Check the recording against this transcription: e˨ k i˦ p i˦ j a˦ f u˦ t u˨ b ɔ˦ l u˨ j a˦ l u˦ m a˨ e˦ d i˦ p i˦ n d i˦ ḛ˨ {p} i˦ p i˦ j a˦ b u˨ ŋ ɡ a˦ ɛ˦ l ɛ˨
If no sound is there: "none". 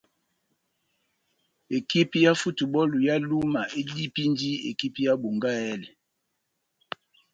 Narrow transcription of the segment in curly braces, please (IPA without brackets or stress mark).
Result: k